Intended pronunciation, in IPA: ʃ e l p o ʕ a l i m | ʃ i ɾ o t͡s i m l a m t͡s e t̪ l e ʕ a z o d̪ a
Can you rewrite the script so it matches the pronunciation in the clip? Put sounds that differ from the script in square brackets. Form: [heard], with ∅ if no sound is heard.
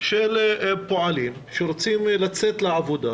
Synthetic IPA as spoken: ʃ e l p o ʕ a l i m | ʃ [e] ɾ o t͡s i m l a [∅] t͡s e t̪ l e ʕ a [v] o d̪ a